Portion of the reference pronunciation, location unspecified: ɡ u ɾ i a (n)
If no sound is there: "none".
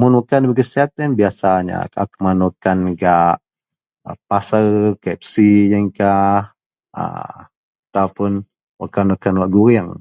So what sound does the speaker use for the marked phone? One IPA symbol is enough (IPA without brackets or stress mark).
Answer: ŋ